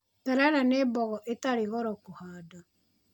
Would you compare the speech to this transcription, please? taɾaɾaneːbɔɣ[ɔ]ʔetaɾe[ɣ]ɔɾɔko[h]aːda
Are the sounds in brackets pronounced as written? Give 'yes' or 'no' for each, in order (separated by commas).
yes, yes, yes